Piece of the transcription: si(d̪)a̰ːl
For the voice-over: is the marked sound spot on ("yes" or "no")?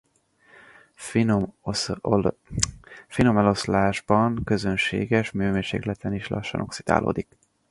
yes